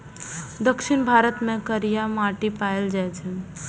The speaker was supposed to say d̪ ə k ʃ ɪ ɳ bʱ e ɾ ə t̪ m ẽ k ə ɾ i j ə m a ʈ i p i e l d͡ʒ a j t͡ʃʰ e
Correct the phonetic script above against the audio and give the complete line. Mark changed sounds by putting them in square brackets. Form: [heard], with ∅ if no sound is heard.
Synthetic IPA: d̪ ə k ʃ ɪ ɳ bʱ [a] ɾ ə t̪ m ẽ k ə ɾ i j [a] m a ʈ i p [a] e l d͡ʒ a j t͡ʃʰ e